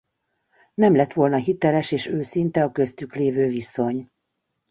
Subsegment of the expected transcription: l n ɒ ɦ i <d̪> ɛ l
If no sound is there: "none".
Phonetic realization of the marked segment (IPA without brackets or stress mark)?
t̪